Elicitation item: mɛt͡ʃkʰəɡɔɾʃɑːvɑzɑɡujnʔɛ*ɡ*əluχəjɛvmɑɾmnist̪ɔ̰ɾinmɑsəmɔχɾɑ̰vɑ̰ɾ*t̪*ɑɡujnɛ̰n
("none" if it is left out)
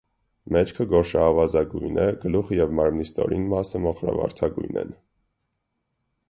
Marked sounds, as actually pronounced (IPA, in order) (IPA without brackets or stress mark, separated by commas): ɡ, t̪ʰ